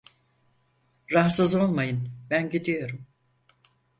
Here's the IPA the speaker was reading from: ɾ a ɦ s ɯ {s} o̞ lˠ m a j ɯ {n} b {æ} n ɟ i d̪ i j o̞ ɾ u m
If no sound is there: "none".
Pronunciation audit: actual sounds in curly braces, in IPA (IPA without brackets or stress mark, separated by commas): z, n, æ